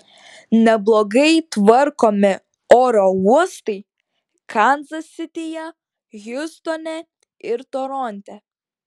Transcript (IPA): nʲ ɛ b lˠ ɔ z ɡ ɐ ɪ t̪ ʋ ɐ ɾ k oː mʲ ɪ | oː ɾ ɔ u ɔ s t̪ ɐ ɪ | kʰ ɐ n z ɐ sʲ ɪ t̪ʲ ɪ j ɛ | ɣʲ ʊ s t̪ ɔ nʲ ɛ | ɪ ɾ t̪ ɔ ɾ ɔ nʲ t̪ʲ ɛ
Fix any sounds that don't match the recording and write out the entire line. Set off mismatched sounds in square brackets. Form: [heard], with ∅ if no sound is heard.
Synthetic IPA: nʲ ɛ b lˠ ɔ [∅] ɡ ɐ ɪ t̪ ʋ ɐ ɾ k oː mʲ ɪ | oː ɾ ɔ u ɔ s t̪ ɐ ɪ | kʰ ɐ n z ɐ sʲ ɪ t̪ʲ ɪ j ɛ | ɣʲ ʊ s t̪ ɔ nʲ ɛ | ɪ ɾ t̪ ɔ ɾ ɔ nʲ t̪ʲ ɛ

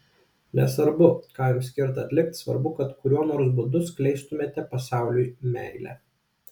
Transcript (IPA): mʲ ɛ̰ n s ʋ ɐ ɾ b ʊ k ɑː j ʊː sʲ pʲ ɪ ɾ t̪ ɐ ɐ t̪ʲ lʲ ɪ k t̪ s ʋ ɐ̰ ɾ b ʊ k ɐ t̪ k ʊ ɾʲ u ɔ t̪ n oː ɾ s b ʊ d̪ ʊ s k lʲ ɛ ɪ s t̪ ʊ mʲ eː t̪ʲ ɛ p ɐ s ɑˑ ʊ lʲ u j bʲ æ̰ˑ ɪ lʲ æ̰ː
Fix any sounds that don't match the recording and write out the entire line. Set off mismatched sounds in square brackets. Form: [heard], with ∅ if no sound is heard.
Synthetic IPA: [nʲ] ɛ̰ [∅] s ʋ ɐ ɾ b ʊ k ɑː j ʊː sʲ [kʲ] ɪ ɾ t̪ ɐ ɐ t̪ʲ lʲ ɪ k t̪ s ʋ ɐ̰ ɾ b ʊ k ɐ t̪ k ʊ ɾʲ u ɔ [∅] n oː ɾ s b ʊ d̪ ʊ s k lʲ ɛ ɪ s t̪ ʊ mʲ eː t̪ʲ ɛ p ɐ s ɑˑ ʊ lʲ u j [mʲ] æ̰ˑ ɪ lʲ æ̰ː

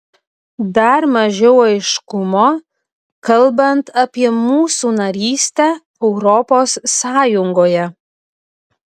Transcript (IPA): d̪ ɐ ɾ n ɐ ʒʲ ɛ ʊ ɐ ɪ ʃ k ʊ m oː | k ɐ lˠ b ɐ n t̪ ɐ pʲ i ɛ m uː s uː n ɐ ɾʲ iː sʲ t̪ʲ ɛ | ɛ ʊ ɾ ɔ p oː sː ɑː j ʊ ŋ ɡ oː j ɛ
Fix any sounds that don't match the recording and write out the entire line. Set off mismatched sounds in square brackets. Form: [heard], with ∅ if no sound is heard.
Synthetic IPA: d̪ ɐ ɾ [m] ɐ ʒʲ ɛ ʊ ɐ ɪ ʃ k ʊ m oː | k ɐ lˠ b ɐ n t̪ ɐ pʲ i ɛ m uː s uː n ɐ ɾʲ iː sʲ t̪ʲ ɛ | ɛ ʊ ɾ ɔ p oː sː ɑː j ʊ ŋ ɡ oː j ɛ

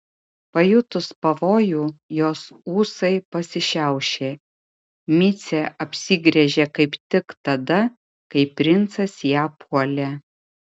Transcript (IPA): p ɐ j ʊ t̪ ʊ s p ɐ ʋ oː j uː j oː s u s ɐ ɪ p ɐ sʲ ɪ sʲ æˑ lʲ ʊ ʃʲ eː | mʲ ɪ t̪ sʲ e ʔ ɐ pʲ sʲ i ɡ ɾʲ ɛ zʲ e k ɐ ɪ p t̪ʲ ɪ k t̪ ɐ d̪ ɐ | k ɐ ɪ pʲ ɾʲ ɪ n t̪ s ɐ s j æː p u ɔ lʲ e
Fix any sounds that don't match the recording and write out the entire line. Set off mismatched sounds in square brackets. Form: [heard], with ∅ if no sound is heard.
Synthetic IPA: p ɐ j ʊ t̪ ʊ s p ɐ ʋ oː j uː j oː s [uː] s ɐ ɪ p ɐ sʲ ɪ [ʃʲ] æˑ [∅] ʊ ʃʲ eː | mʲ ɪ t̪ sʲ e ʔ ɐ pʲ sʲ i ɡ ɾʲ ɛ [ʒʲ] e k ɐ ɪ p t̪ʲ ɪ k t̪ ɐ d̪ ɐ | k ɐ ɪ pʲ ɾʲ ɪ n t̪ s ɐ s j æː p u ɔ lʲ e

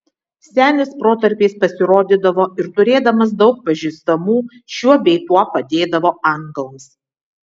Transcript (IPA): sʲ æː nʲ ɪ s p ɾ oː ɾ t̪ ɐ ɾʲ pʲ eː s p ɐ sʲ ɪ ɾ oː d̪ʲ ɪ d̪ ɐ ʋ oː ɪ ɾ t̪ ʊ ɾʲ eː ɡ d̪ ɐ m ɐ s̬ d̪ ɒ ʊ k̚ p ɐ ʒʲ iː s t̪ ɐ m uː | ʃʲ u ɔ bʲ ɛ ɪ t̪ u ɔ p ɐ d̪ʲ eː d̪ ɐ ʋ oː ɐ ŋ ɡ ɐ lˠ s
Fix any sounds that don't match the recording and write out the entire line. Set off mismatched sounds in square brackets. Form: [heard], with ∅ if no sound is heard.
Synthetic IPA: sʲ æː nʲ ɪ s p ɾ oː [∅] t̪ ɐ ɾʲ pʲ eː s p ɐ sʲ ɪ ɾ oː d̪ʲ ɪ d̪ ɐ ʋ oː ɪ ɾ t̪ ʊ ɾʲ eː [∅] d̪ ɐ m ɐ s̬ d̪ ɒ ʊ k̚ p ɐ ʒʲ iː s t̪ ɐ m uː | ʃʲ u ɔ bʲ ɛ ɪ t̪ u ɔ p ɐ d̪ʲ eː d̪ ɐ ʋ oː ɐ ŋ ɡ ɐ lˠ s

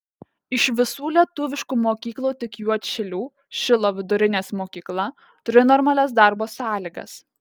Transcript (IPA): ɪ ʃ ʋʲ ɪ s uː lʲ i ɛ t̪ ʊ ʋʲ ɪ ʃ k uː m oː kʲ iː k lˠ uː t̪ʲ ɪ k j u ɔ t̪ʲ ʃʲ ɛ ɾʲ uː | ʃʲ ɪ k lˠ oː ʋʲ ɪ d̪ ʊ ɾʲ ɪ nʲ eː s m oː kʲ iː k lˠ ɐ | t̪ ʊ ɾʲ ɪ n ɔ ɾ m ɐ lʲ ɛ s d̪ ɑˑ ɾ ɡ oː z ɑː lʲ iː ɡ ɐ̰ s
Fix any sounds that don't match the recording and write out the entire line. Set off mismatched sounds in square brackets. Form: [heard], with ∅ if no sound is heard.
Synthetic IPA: ɪ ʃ ʋʲ ɪ s uː lʲ i ɛ t̪ ʊ ʋʲ ɪ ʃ k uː m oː kʲ iː k lˠ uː t̪ʲ ɪ k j u ɔ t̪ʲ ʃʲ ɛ [lʲ] uː | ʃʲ ɪ [∅] lˠ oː ʋʲ ɪ d̪ ʊ ɾʲ ɪ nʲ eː s m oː kʲ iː k lˠ ɐ | t̪ ʊ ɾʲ ɪ n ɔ ɾ m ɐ lʲ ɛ s d̪ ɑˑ ɾ [b] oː [s] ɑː lʲ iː ɡ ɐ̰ s

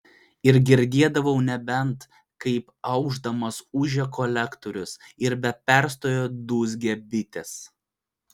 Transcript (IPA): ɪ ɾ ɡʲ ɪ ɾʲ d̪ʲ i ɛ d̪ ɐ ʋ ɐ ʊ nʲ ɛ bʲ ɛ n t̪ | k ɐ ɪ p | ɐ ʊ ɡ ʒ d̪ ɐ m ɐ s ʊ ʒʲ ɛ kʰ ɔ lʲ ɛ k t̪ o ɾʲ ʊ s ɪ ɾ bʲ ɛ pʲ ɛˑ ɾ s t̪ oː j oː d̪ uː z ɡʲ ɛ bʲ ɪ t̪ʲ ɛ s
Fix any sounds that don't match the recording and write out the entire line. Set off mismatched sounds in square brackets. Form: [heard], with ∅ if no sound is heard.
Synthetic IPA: ɪ ɾ ɡʲ ɪ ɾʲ d̪ʲ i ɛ d̪ ɐ ʋ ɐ ʊ nʲ ɛ bʲ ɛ n t̪ | k ɐ ɪ p | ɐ ʊ ɡ ʒ d̪ ɐ m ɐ s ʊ ʒʲ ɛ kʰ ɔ lʲ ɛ k t̪ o ɾʲ ʊ s ɪ ɾ bʲ ɛ pʲ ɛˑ ɾ s t̪ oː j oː d̪ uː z ɡʲ ɛ bʲ ɪ t̪ʲ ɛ s

